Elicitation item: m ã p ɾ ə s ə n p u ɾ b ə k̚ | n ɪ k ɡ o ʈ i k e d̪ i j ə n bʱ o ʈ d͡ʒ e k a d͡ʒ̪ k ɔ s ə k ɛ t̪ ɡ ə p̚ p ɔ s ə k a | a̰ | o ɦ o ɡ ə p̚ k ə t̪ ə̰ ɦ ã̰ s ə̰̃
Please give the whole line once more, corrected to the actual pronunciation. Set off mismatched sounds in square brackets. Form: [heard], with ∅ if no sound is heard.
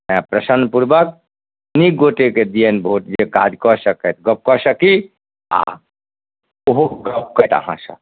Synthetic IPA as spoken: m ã p ɾ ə s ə n p u ɾ b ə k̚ | n [i] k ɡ o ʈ [e] k e d̪ i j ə n bʱ o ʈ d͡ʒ e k a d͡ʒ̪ k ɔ s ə k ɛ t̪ ɡ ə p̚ [k] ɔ s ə k [i] | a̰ | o ɦ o ɡ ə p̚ k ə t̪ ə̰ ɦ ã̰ s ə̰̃

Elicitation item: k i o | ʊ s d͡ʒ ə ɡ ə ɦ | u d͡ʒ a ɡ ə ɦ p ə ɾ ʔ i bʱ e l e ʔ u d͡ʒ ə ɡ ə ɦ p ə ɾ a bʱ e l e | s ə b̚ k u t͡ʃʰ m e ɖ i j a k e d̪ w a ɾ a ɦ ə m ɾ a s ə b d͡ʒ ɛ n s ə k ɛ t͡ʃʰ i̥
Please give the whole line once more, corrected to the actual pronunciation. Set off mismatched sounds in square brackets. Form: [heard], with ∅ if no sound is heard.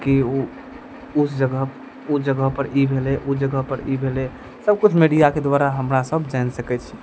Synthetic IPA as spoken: k i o | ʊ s d͡ʒ ə ɡ ə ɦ | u d͡ʒ [ə] ɡ ə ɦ p ə ɾ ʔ i bʱ e l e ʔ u d͡ʒ ə ɡ ə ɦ p ə ɾ [i] bʱ e l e | s ə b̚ k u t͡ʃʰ m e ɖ i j a k e d̪ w a ɾ a ɦ ə m ɾ a s ə b d͡ʒ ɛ n s ə k ɛ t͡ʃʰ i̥

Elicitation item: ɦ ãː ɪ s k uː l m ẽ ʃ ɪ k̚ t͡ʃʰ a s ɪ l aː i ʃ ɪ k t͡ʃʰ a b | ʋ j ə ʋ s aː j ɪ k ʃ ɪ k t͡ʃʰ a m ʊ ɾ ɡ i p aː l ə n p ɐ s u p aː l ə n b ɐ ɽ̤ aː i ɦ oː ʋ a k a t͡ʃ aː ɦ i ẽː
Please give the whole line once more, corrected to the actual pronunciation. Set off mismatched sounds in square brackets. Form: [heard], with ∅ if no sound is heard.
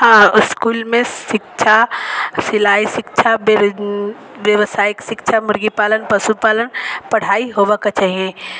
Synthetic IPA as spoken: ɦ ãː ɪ s k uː l m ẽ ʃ ɪ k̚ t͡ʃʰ a s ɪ l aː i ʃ ɪ k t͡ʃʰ a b | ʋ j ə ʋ s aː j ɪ k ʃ ɪ k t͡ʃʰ a m ʊ ɾ ɡ i p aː l ə n p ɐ s u p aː l ə n [p] ɐ ɽ̤ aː i ɦ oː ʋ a k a t͡ʃ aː ɦ i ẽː

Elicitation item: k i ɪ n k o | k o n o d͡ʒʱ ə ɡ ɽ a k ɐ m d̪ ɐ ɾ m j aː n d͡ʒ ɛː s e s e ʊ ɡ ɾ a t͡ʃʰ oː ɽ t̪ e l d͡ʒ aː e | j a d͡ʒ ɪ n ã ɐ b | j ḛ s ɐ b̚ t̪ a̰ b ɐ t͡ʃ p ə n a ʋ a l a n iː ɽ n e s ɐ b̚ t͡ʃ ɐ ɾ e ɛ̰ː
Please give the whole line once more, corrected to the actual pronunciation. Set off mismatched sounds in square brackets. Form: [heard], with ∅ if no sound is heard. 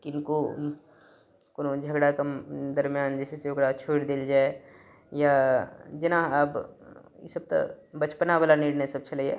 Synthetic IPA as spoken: k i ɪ n k o | k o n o d͡ʒʱ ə ɡ ɽ a k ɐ m d̪ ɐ ɾ m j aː n d͡ʒ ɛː s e s e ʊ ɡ ɾ a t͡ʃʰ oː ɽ [d̪] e l d͡ʒ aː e | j a d͡ʒ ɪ n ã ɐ b | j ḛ s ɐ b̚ t̪ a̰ b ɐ t͡ʃ p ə n a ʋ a l a n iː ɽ n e s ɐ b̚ t͡ʃ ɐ [l] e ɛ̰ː

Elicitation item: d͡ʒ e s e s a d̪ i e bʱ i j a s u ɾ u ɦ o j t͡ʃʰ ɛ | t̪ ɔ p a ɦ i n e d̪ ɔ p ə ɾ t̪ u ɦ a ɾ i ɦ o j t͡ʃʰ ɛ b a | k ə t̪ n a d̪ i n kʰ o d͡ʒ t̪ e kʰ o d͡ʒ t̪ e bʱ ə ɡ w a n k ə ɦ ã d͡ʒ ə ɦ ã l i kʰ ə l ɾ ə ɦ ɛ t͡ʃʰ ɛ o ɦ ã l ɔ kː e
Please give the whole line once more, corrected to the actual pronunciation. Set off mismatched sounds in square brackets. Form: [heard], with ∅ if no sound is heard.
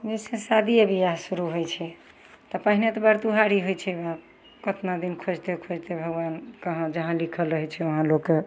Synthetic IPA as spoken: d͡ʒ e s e s a d̪ i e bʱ i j a s u ɾ u ɦ o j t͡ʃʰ ɛ | t̪ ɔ p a ɦ i n e [t̪] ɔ [b] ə ɾ t̪ u ɦ a ɾ i ɦ o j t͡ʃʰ ɛ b a | k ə t̪ n a d̪ i n kʰ o d͡ʒ t̪ e kʰ o d͡ʒ t̪ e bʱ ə ɡ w a n k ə ɦ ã d͡ʒ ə ɦ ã l i kʰ ə l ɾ ə ɦ ɛ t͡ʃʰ ɛ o ɦ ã l [o] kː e

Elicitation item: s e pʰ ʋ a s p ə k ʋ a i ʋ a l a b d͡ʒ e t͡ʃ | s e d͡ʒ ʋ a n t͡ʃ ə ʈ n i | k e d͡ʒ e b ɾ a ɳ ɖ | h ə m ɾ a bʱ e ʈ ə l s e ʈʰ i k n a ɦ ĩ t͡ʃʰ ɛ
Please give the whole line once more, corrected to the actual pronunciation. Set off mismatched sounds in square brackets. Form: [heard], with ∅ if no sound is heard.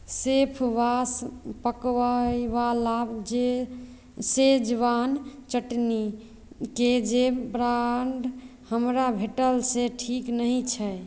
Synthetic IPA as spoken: s e pʰ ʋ a s p ə k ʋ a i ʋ a l a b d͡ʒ e [∅] | s e d͡ʒ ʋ a n t͡ʃ ə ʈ n i | k e d͡ʒ e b ɾ a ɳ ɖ | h ə m ɾ a bʱ e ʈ ə l s e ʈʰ i k n [ə] ɦ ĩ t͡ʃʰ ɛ

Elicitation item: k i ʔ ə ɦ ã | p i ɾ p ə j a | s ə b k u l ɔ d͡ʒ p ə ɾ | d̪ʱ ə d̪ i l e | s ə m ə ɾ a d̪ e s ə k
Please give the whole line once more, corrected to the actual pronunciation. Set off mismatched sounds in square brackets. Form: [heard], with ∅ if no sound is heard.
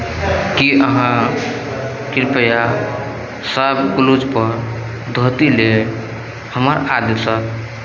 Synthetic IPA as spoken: k i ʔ ə ɦ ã | [k] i ɾ p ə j a | s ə b k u l [u] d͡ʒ p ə ɾ | d̪ʱ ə [t̪] i l e | [h] ə m ə ɾ a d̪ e s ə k

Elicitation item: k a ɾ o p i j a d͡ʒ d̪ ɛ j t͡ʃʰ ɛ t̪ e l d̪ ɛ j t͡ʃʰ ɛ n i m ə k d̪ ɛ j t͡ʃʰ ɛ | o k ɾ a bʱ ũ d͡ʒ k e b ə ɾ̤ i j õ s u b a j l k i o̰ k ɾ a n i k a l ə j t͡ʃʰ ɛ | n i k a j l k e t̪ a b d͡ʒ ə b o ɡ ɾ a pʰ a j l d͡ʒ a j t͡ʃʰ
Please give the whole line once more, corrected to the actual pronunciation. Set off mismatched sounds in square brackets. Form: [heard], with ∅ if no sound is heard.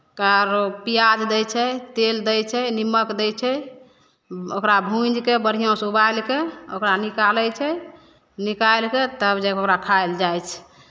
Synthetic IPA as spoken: k a ɾ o p i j a d͡ʒ d̪ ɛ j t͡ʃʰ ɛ t̪ e l d̪ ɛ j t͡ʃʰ ɛ n i m ə k d̪ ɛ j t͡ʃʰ ɛ | o k ɾ a bʱ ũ d͡ʒ k e b ə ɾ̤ i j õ s u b a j l k [e] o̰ k ɾ a n i k a l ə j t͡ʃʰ ɛ | n i k a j l k e t̪ [ə] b d͡ʒ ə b o [k] ɾ a [kʰ] a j l d͡ʒ a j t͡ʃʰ

